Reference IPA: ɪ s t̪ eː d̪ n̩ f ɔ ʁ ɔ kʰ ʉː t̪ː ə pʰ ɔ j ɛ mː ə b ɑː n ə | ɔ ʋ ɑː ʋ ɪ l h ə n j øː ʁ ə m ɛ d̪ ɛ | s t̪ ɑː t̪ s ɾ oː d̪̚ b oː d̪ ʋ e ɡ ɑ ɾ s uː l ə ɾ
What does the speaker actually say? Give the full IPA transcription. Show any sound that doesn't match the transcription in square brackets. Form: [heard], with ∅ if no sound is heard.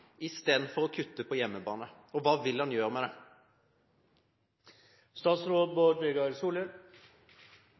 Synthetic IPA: ɪ s t̪ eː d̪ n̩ f ɔ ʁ ɔ kʰ [ʉ] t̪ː ə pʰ ɔ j ɛ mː ə b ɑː n ə | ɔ ʋ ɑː ʋ ɪ l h [ɑ] n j øː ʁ ə m ɛ d̪ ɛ | s t̪ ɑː t̪ s ɾ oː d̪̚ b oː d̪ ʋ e ɡ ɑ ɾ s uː l ə ɾ